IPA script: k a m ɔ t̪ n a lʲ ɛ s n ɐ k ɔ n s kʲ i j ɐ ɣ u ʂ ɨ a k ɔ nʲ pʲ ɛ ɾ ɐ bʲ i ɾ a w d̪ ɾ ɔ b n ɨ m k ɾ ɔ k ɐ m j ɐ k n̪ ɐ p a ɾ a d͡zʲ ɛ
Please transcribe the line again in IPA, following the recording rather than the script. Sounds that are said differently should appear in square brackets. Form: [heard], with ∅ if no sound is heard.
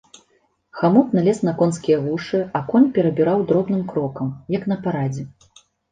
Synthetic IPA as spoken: [x] a m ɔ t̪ n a lʲ ɛ s n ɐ k ɔ n s kʲ i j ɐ ɣ u ʂ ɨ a k ɔ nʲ pʲ ɛ ɾ ɐ bʲ i ɾ a w d̪ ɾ ɔ b n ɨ m k ɾ ɔ k ɐ m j ɐ k n̪ ɐ p a ɾ a d͡zʲ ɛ